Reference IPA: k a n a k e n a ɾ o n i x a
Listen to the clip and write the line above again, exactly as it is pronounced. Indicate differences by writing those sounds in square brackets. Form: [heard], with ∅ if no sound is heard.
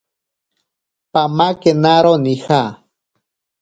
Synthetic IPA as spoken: [p] a [m] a k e n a ɾ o n i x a